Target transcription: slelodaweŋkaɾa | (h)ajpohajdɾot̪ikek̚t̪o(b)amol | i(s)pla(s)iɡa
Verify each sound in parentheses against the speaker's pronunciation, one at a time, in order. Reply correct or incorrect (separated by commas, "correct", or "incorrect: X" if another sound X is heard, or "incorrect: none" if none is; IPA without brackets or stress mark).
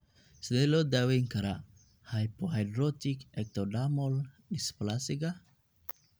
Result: correct, incorrect: d, correct, correct